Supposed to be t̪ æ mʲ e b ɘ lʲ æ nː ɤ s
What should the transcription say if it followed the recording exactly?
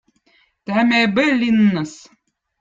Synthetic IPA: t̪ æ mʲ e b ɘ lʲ i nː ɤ s